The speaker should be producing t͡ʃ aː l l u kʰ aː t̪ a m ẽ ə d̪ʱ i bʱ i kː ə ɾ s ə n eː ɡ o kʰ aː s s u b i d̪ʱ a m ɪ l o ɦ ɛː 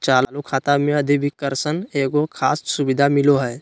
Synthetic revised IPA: t͡ʃ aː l l u kʰ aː t̪ a m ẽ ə d̪ʱ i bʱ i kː ə ɾ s ə n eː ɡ o kʰ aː s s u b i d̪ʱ a m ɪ l o ɦ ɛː